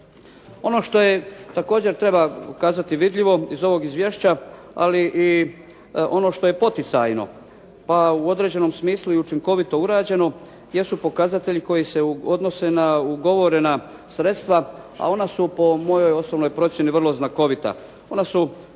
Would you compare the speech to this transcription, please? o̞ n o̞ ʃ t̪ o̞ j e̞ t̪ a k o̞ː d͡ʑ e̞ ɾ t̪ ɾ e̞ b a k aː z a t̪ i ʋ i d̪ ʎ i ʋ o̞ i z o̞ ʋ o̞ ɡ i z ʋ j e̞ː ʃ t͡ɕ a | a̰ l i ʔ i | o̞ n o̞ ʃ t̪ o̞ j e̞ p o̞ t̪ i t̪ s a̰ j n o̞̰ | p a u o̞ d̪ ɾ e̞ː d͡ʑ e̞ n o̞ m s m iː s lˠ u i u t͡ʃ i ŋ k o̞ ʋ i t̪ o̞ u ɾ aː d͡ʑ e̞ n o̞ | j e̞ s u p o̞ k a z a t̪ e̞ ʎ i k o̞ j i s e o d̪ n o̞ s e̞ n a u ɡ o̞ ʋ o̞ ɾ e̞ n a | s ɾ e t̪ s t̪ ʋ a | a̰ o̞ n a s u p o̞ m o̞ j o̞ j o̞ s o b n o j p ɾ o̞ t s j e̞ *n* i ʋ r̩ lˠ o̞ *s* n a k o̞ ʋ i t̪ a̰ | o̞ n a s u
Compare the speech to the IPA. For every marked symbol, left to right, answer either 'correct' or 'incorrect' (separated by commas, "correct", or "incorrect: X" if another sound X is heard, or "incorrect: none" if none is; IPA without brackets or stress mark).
correct, incorrect: z